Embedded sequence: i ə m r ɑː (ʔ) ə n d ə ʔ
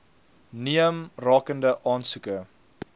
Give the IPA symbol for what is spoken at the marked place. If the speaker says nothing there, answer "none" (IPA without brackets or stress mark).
k